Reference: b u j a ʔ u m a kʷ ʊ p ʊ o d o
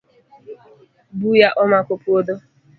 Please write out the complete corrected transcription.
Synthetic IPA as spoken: b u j a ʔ ɔ m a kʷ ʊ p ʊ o d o

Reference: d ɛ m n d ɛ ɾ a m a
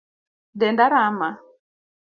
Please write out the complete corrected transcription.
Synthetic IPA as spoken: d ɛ n d a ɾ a m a

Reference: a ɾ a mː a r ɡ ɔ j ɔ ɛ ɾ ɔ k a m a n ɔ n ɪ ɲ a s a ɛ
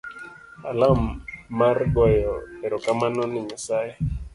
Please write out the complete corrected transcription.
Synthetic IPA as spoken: a l a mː a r ɡ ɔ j ɔ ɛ ɾ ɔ k a m a n ɔ n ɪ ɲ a s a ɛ

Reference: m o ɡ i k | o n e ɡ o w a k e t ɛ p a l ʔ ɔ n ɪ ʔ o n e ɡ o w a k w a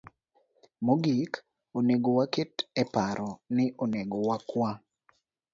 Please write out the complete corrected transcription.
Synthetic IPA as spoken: m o ɡ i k | o n e ɡ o w a k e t ɛ p a ɾ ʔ ɔ n ɪ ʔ o n e ɡ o w a k w a

